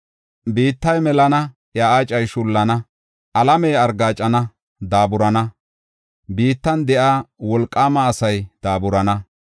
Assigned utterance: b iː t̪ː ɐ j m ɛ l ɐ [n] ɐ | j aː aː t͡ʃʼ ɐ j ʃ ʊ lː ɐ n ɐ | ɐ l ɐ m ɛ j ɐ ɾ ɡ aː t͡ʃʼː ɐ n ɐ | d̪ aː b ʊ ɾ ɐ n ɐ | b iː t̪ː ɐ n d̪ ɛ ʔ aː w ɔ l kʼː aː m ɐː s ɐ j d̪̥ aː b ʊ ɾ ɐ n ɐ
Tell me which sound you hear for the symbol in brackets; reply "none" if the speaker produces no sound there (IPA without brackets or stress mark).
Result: n